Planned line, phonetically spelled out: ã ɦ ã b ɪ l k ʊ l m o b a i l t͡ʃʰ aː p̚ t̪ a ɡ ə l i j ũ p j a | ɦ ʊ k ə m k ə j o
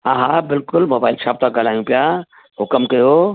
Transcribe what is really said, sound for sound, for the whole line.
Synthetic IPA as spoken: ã ɦ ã b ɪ l k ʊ l m o b a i l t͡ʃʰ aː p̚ t̪ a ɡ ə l a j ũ p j a | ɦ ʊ k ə m k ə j o